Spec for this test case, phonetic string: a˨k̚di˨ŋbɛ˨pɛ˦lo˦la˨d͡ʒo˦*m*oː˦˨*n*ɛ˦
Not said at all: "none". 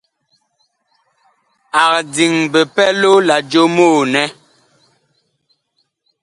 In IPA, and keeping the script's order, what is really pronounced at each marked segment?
m, n

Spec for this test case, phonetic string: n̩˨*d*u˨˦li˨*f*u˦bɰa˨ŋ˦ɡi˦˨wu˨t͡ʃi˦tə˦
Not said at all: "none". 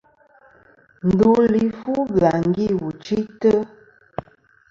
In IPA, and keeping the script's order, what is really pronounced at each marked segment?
d, f

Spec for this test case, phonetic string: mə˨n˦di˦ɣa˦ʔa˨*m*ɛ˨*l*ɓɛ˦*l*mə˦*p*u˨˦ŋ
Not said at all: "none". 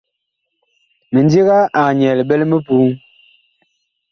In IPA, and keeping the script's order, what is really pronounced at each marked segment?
ɲ, l, l, p

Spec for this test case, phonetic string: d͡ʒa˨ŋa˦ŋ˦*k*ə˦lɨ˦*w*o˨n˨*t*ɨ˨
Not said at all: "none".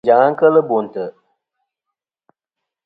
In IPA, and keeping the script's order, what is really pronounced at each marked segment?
k, b, t

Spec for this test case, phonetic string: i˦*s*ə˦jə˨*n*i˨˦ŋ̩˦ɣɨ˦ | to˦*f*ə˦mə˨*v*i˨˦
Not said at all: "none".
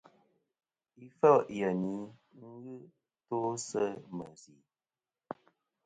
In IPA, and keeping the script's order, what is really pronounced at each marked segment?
f, n, s, z

